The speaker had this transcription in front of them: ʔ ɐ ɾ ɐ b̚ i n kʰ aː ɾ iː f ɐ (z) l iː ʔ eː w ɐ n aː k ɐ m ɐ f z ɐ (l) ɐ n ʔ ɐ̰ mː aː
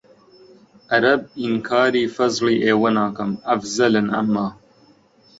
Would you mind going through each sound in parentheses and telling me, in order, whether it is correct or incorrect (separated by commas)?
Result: correct, correct